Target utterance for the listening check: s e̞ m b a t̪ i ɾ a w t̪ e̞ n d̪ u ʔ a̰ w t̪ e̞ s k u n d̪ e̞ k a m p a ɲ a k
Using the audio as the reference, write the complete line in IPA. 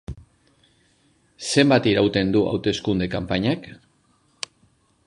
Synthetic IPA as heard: s e̞ m b a t̪ i ɾ a w t̪ e̞ n d̪ u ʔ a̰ w t̪ e̞ s k u n d̪ e̞ k a m p a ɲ a k